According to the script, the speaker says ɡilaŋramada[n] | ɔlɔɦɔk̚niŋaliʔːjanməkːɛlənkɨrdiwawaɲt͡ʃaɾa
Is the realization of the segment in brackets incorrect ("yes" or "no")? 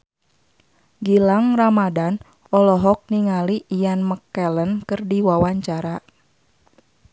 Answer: no